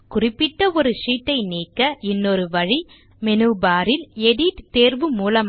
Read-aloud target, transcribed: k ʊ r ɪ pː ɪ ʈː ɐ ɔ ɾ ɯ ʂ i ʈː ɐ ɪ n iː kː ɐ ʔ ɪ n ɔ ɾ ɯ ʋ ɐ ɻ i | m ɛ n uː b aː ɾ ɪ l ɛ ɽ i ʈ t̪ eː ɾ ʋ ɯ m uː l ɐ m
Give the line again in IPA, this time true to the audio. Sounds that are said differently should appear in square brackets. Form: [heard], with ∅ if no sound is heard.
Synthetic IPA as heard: k ʊ r ɪ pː ɪ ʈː ɐ ɔ ɾ ɯ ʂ [iː] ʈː ɐ ɪ n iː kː ɐ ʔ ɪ [nː] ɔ ɾ ɯ ʋ ɐ ɻ i | m ɛ n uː b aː ɾ ɪ l ɛ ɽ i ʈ t̪ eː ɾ ʋ ɯ m uː l ɐ m

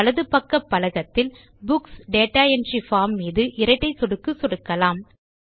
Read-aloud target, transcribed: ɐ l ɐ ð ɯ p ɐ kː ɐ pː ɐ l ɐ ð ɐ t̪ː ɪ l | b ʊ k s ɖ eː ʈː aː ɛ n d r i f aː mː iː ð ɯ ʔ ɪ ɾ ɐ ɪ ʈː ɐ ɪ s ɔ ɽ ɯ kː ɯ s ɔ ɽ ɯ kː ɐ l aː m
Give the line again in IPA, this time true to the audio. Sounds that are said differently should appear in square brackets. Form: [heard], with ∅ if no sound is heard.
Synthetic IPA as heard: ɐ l ɐ ð ɯ p ɐ kː ɐ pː ɐ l ɐ [ɣ] ɐ t̪ː ɪ l | b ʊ k s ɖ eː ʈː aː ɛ n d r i f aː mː iː ð ɯ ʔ ɪ ɾ ɐ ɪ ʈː ɐ ɪ s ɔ ɽ ɯ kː ɯ s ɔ ɽ ɯ kː ɐ l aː m

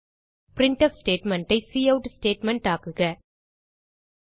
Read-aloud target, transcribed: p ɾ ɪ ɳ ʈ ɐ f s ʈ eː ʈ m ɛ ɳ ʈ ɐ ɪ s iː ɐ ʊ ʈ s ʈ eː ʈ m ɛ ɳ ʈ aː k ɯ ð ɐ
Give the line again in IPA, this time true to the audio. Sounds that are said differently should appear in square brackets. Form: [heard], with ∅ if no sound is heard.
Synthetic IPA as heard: p ɾ ɪ ɳ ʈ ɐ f s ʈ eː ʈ m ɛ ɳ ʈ ɐ ɪ s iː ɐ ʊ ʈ s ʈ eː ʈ m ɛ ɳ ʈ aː k ɯ [ɣ] ɐ

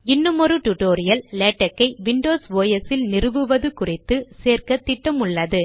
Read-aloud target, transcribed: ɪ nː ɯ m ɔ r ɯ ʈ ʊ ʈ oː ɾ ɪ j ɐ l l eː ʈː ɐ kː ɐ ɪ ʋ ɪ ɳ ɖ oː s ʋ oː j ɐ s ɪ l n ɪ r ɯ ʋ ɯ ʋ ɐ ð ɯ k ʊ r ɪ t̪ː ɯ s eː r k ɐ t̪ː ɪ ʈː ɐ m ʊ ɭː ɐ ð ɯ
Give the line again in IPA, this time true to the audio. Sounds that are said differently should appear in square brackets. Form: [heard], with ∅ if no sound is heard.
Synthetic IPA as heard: ɪ nː ɯ m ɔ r ɯ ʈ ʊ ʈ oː ɾ ɪ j ɐ l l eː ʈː ɐ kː ɐ ɪ ʋ ɪ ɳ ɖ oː s ʋ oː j ɐ s ɪ l n ɪ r ɯ ʋ ɯ ʋ ɐ ð ɯ k ʊ r ɪ t̪ː ɯ s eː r k ɐ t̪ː ɪ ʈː ɐ m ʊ ɭː ɐ ð ɯ

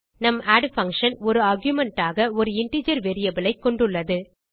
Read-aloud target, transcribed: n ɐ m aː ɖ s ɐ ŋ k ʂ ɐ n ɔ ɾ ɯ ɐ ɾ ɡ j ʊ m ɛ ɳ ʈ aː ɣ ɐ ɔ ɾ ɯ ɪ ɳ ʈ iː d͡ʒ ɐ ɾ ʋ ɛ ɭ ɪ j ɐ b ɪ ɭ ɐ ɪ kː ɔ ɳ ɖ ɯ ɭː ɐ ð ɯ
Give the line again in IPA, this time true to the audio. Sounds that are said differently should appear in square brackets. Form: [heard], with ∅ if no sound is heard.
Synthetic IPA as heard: n ɐ m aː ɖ [f] ɐ ŋ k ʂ ɐ n ɔ ɾ ɯ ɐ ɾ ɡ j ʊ m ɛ ɳ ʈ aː ɣ ɐ ɔ ɾ ɯ ɪ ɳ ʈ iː d͡ʒ ɐ ɾ ʋ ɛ [ɾ] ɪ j ɐ b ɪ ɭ ɐ ɪ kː ɔ ɳ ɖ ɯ ɭː ɐ ð ɯ

